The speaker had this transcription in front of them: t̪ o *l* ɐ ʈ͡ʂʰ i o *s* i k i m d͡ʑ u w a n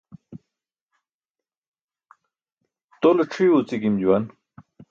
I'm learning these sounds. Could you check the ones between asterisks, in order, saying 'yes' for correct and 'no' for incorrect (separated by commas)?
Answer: yes, no